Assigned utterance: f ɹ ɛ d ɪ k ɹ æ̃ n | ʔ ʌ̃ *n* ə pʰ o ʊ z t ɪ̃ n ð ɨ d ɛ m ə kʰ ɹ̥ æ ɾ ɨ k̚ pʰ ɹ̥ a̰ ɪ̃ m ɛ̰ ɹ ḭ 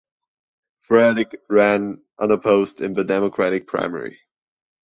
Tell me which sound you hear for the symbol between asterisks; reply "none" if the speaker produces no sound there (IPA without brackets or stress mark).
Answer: n